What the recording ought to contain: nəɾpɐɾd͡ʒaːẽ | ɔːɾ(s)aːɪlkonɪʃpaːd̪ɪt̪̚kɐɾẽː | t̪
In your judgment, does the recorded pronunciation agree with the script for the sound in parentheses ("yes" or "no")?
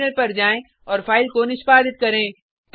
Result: no